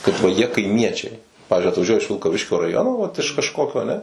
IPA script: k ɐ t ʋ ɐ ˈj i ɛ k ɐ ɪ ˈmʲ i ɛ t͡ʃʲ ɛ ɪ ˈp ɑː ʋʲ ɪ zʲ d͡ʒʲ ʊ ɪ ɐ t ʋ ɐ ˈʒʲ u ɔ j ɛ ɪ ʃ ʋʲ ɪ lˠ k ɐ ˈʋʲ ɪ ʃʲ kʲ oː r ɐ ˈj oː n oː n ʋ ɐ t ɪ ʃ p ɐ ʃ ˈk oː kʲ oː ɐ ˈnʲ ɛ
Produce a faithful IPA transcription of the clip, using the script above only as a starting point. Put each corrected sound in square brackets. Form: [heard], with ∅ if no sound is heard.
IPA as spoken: k ɐ t ʋ ɐ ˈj i ɛ k ɐ ɪ ˈmʲ i ɛ t͡ʃʲ ɛ ɪ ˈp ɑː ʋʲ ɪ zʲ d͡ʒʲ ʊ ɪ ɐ t ʋ ɐ ˈʒʲ u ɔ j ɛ ɪ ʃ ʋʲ ɪ lˠ k ɐ ˈʋʲ ɪ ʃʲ kʲ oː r ɐ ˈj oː n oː [∅] ʋ ɐ t ɪ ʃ [k] ɐ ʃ ˈk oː kʲ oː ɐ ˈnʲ ɛ